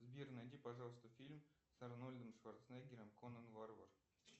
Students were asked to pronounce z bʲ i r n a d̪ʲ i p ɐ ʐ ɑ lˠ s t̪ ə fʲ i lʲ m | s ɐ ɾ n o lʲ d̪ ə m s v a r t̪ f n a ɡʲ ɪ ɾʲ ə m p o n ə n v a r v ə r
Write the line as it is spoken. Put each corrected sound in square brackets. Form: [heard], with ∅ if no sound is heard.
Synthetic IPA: z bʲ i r n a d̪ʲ i p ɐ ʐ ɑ lˠ s t̪ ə fʲ i lʲ m | s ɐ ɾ n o lʲ d̪ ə m [ʂ] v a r t̪ [s] n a ɡʲ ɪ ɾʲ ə m [k] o n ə n v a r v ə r